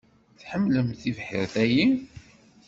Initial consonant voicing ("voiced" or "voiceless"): voiceless